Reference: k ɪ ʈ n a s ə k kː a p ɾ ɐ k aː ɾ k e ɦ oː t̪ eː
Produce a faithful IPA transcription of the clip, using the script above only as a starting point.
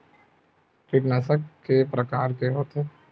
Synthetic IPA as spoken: k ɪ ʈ n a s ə k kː e p ɾ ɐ k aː ɾ k e ɦ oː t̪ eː